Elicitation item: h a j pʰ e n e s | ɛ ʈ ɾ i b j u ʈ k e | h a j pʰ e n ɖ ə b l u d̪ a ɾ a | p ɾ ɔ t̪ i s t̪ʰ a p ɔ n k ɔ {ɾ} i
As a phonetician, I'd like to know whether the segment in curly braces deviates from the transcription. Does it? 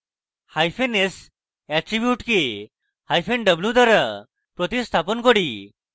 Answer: yes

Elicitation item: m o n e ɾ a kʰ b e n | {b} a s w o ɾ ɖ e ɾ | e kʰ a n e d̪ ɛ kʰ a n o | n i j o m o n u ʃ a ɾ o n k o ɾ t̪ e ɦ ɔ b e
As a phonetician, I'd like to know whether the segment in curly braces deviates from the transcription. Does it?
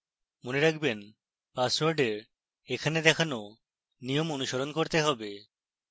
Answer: yes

